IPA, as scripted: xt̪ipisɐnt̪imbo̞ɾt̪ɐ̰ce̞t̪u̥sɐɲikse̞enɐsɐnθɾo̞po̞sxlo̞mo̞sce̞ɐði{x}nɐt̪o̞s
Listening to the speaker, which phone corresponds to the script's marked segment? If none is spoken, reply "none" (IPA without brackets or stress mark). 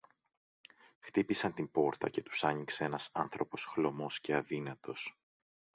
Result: none